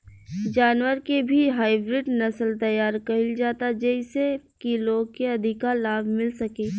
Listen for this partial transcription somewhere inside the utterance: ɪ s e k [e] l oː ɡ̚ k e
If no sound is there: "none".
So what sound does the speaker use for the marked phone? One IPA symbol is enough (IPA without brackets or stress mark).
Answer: i